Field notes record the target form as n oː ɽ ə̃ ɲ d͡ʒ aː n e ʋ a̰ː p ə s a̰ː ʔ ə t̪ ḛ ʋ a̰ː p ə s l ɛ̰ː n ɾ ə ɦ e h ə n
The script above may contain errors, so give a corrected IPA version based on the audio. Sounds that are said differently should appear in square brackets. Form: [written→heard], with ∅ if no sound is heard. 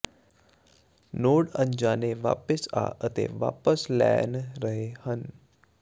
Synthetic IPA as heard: n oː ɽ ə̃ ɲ d͡ʒ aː n e ʋ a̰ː p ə s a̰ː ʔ ə t̪ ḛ ʋ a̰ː p ə s l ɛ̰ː n ɾ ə ɦ e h ə n